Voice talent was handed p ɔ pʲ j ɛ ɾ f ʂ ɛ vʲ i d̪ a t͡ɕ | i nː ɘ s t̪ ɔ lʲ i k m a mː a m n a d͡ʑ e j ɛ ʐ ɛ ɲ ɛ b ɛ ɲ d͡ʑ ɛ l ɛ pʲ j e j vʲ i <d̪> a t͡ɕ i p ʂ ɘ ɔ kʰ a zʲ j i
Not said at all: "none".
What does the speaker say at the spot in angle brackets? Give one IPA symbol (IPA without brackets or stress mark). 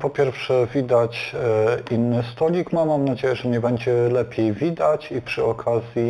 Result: d̪